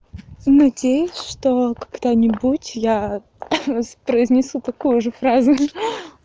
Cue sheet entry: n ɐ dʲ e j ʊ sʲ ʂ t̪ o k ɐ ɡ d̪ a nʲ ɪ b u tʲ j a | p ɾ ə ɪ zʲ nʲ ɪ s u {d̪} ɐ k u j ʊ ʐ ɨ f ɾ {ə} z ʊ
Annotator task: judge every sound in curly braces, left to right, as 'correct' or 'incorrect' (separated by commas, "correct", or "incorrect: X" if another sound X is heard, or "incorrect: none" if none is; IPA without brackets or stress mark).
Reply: incorrect: t̪, incorrect: a